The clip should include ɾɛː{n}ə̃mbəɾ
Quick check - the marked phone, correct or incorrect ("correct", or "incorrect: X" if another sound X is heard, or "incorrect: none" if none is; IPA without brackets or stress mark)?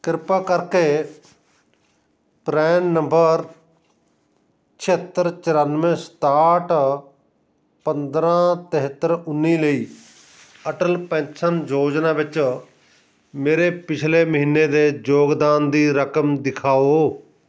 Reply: incorrect: nː